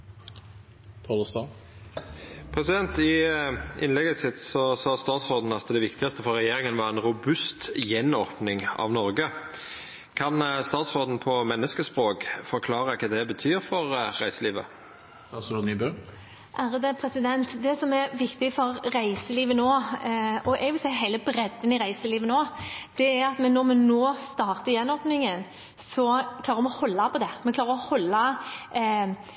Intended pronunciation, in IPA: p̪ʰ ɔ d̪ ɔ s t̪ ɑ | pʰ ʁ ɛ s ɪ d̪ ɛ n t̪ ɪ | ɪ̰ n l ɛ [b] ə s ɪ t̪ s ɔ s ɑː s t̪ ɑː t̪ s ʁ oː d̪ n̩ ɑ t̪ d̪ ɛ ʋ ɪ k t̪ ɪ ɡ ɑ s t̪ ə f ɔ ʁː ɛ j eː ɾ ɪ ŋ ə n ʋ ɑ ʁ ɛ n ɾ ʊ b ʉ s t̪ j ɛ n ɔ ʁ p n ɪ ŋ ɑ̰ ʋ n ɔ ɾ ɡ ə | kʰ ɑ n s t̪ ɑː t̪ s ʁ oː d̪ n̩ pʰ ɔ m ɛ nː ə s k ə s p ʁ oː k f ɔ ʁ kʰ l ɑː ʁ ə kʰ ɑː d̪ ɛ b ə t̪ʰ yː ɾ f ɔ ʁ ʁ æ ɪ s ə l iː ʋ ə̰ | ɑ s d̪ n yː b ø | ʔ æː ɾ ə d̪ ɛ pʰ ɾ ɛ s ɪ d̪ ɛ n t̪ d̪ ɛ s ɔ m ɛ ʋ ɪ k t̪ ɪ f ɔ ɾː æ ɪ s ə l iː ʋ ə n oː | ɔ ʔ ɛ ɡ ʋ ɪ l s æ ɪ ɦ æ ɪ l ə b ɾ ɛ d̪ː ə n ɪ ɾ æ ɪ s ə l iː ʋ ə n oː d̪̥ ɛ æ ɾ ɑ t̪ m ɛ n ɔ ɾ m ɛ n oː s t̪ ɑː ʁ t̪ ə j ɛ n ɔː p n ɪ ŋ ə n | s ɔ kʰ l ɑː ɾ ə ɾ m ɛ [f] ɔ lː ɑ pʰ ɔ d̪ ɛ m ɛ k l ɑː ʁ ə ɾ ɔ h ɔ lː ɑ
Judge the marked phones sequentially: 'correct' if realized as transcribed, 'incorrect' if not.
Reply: incorrect: ɡ, incorrect: h

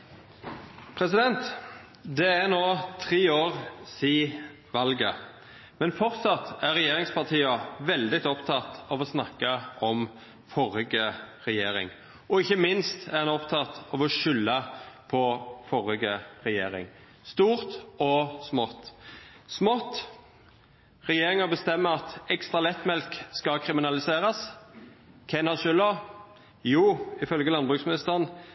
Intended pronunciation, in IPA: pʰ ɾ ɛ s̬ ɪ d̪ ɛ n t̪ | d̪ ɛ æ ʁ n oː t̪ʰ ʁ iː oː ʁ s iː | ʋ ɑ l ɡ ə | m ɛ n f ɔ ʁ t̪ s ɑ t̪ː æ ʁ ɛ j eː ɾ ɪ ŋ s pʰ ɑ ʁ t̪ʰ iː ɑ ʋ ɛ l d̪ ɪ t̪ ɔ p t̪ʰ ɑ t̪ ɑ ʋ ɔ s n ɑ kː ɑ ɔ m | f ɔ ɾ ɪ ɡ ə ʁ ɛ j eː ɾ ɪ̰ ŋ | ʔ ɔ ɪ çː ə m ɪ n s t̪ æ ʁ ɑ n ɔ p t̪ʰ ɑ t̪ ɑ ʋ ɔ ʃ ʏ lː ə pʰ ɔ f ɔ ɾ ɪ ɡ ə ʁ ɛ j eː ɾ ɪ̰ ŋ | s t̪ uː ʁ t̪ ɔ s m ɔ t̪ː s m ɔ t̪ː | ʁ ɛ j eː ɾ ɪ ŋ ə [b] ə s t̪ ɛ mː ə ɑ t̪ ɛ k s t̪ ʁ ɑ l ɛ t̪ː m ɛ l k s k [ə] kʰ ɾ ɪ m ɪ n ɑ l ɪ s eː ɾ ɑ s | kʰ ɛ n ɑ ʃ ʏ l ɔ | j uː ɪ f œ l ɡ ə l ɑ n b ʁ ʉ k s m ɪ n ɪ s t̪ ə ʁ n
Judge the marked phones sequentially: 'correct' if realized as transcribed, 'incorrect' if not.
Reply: correct, incorrect: ɑ

